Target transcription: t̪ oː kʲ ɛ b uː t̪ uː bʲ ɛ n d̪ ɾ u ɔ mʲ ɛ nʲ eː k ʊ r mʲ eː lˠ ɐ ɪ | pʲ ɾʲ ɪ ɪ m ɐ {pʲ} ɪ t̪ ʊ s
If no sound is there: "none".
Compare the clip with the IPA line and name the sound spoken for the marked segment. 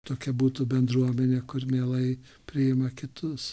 kʲ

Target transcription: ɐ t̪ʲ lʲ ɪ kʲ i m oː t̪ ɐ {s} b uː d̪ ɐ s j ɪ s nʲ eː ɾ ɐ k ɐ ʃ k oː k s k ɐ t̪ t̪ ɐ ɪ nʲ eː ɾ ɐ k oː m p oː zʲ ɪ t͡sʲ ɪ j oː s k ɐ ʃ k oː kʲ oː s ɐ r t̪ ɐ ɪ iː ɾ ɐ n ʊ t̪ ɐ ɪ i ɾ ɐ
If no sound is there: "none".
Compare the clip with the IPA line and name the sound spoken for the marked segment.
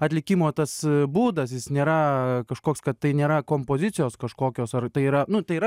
s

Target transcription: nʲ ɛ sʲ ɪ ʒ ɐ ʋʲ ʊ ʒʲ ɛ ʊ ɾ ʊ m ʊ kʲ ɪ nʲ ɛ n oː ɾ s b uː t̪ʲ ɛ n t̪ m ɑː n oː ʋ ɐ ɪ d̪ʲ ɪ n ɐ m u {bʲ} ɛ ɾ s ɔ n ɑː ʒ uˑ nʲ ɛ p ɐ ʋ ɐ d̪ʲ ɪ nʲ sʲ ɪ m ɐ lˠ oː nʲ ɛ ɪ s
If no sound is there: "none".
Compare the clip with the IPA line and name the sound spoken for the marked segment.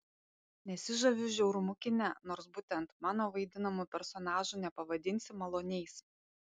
pʲ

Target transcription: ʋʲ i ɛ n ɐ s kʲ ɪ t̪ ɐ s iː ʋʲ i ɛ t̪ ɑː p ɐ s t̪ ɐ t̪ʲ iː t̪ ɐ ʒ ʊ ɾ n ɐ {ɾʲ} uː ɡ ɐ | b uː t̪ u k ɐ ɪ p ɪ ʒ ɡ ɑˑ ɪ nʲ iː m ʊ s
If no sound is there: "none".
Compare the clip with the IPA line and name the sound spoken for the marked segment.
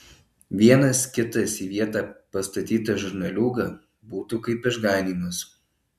lʲ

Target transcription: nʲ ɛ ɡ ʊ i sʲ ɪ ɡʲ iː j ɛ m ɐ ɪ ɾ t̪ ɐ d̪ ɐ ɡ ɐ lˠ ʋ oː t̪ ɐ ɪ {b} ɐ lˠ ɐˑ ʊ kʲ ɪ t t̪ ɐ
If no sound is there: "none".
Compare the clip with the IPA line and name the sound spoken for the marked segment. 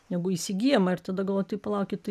p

